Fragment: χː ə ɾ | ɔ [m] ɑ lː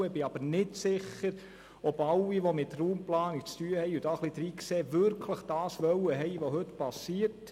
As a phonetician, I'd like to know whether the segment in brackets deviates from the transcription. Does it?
yes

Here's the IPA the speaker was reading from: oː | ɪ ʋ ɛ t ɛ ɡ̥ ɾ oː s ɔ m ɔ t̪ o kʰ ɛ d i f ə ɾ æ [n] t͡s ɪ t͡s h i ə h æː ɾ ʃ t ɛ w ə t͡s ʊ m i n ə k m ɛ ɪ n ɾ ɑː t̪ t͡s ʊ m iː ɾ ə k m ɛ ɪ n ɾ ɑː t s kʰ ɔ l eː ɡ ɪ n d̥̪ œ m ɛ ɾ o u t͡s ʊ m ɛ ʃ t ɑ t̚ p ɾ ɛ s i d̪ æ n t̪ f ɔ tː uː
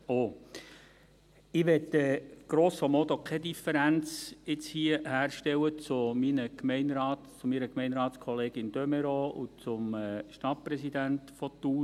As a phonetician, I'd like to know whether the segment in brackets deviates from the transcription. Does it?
no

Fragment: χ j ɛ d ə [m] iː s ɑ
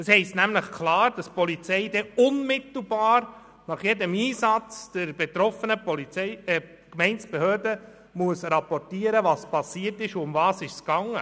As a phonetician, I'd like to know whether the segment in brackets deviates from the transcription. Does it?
no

